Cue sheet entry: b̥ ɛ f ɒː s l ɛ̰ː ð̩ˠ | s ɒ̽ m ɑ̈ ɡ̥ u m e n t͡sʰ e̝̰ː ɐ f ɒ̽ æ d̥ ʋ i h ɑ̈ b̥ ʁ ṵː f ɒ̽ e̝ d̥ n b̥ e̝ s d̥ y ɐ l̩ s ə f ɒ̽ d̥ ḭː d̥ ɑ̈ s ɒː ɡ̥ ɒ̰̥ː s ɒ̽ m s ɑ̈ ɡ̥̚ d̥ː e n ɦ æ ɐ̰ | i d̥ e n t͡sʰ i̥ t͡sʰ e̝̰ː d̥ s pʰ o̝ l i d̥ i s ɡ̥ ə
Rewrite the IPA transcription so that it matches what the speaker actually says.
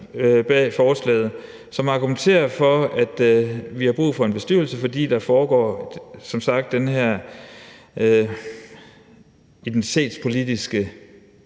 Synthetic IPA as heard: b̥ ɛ f ɒː s l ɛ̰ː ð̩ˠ | s ɒ̽ m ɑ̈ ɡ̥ u m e n t͡sʰ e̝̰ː ɐ f ɒ̽ æ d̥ ʋ i h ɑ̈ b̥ ʁ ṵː f ɒ̽ e̝ n b̥ e̝ s d̥ y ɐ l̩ s ə f ɒ̽ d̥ ḭː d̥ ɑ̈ f ɒː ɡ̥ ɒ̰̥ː s ɒ̽ m s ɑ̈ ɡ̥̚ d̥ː e n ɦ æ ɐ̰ | i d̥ e n t͡sʰ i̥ t͡sʰ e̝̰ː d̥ s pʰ o̝ l i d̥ i s ɡ̥ ə